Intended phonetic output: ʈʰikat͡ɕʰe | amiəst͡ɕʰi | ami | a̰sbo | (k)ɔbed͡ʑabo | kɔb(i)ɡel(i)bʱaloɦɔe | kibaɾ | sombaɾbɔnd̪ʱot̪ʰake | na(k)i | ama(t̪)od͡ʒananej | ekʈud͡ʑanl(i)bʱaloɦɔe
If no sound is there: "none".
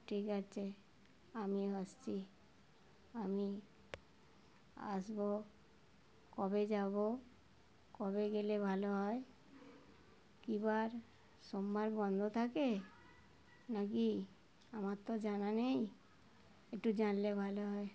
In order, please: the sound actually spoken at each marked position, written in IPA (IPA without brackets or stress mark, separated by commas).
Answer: k, e, e, k, t̪, e